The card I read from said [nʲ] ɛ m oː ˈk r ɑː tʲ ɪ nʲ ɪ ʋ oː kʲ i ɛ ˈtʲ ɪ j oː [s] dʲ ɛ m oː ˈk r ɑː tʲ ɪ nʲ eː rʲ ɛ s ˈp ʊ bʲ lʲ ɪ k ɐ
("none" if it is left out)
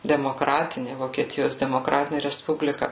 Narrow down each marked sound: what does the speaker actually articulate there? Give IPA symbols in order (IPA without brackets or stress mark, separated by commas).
dʲ, s